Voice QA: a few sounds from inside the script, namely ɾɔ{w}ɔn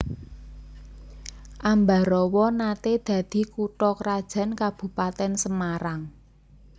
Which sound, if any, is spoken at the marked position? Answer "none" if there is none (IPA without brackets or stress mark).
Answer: w